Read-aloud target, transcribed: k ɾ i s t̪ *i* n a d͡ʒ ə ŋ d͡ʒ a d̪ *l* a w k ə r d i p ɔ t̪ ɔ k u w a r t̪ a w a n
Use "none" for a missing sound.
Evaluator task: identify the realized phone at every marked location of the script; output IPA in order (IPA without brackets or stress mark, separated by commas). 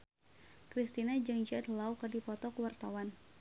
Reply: i, l